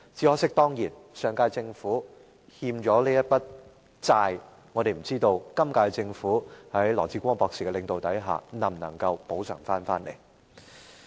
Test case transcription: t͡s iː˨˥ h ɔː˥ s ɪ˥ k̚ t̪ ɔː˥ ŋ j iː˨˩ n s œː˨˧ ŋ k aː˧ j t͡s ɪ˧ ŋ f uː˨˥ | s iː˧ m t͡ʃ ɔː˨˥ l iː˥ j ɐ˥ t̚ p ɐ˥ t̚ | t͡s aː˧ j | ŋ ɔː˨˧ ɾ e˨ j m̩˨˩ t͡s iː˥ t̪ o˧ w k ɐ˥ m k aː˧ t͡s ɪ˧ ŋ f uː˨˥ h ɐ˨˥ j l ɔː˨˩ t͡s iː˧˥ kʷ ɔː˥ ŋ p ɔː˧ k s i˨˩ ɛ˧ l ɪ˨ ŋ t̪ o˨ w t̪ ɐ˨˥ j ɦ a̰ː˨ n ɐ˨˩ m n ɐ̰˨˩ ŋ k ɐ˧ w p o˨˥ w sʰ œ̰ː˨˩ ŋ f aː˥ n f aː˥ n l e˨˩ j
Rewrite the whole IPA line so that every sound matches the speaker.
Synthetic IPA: t͡s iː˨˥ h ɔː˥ s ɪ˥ k̚ t̪ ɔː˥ ŋ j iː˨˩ n s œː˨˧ ŋ k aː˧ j t͡s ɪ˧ ŋ f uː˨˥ | h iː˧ m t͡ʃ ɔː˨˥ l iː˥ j ɐ˥ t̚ p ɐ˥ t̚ | t͡s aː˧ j | ŋ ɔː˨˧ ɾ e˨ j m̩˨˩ t͡s iː˥ t̪ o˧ w k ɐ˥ m k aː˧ t͡s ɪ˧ ŋ f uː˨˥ h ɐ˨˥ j l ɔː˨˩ t͡s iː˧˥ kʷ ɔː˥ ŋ p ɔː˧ k s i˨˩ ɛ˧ l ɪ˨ ŋ t̪ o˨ w t̪ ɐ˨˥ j ɦ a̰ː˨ n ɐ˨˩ m n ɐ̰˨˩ ŋ k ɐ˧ w p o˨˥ w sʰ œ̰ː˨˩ ŋ f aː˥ n f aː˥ n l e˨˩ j